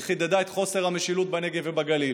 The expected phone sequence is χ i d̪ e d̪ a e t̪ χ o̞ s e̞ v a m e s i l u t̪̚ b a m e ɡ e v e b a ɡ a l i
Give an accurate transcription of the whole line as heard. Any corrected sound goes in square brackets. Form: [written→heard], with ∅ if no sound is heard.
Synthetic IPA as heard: χ i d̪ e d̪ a e t̪ χ o̞ s e̞ [v→ʁ] a m e [s→ʃ] i l u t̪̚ b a [m→n] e ɡ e v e b a ɡ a l i